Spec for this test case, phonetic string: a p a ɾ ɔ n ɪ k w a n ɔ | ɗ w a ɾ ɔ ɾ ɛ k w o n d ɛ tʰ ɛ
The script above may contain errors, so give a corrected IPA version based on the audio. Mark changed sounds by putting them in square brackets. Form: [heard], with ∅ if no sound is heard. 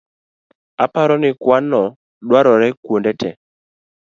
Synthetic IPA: a p a ɾ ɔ n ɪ k w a n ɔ | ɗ w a ɾ ɔ ɾ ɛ k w o n d ɛ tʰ ɛ